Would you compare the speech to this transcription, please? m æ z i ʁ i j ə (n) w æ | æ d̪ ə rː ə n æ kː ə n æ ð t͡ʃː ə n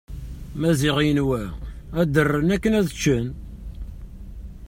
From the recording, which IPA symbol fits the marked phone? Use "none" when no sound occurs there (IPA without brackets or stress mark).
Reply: n